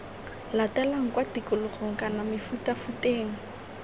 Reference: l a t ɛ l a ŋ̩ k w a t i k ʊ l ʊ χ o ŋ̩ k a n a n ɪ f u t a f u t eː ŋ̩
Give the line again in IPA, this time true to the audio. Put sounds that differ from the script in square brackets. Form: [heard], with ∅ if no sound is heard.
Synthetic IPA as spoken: l a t ɛ l a ŋ̩ k w a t i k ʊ l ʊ χ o ŋ̩ k a n a [m] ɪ f u t a f u t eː ŋ̩